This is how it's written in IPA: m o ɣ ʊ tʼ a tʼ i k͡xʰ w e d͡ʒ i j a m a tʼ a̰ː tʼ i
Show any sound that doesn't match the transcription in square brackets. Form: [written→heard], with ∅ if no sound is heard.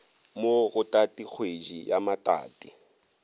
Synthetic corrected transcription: m o ɣ ʊ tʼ a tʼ i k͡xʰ w e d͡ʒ i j a m a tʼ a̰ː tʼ i